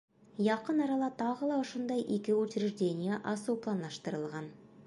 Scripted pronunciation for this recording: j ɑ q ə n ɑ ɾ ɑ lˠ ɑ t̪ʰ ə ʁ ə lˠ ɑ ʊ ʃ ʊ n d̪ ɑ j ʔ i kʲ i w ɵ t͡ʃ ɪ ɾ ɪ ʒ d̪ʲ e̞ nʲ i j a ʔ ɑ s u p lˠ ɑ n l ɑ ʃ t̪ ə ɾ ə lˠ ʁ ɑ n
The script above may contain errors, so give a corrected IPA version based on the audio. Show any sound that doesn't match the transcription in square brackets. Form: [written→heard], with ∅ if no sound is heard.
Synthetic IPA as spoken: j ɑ q ə n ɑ ɾ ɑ lˠ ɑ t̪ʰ [ə→ɑ] ʁ ə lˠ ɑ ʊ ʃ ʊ n d̪ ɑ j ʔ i kʲ [i→ɪ] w ɵ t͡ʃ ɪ ɾ ɪ ʒ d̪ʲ e̞ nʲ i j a ʔ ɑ s u p lˠ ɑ n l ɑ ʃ t̪ ə ɾ ə lˠ ʁ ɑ n